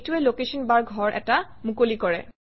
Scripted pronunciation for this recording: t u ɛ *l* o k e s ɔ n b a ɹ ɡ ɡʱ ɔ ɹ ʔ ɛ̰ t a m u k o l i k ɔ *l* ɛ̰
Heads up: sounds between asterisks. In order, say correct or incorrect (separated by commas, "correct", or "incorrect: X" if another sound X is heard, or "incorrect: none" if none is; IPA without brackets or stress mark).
correct, incorrect: ɹ